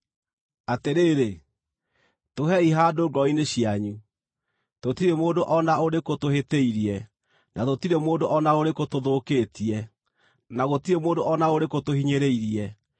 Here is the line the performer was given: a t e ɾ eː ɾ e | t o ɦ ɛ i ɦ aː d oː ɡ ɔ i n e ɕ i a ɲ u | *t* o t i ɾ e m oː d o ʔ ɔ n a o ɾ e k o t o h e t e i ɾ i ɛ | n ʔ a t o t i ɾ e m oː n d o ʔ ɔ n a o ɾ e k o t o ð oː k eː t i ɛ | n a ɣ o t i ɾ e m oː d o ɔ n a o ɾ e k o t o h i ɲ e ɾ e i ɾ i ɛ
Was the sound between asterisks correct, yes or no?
yes